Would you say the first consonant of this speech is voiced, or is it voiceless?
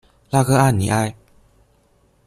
voiced